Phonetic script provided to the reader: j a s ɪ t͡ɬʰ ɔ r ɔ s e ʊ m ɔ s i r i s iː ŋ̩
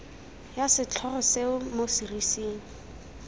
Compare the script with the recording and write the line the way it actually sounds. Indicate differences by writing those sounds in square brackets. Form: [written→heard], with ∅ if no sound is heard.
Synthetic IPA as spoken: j a s ɪ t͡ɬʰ ɔ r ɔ s e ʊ m [ɔ→o] s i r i s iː ŋ̩